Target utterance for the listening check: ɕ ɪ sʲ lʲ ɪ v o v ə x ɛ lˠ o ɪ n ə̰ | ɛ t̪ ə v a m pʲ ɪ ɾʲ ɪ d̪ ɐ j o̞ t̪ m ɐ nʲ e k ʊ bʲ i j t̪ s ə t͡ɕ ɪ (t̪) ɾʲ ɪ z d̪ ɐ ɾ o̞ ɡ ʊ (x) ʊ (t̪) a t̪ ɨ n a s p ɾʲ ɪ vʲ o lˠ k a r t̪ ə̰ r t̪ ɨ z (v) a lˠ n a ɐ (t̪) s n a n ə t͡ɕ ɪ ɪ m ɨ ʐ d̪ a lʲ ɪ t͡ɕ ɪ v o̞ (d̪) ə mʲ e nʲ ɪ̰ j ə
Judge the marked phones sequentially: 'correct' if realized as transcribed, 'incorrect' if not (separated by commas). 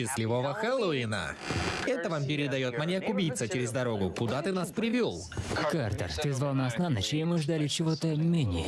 incorrect, incorrect, incorrect, correct, incorrect, incorrect